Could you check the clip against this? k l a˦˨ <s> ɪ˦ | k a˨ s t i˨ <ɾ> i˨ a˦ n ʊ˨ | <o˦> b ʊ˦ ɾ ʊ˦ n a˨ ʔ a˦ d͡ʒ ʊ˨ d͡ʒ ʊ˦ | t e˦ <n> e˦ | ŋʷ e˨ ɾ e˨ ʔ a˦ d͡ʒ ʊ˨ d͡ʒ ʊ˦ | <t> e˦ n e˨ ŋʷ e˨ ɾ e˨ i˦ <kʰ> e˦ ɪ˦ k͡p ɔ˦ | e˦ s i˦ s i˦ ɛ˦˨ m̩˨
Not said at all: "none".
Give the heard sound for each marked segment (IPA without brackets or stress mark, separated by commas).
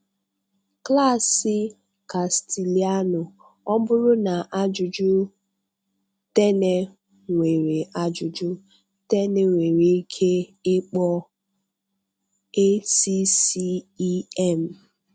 s, l, ɔ˦, n, t, kʰ